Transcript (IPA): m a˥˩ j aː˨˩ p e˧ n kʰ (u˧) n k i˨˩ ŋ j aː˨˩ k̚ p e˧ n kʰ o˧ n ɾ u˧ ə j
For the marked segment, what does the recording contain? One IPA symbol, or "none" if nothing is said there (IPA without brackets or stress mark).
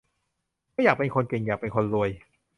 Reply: o˧